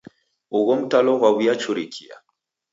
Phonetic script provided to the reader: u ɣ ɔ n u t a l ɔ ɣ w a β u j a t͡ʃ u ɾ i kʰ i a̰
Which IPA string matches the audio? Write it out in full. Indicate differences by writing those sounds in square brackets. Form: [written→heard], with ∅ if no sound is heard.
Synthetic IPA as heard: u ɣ ɔ [n→m] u t a l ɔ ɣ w a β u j a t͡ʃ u ɾ i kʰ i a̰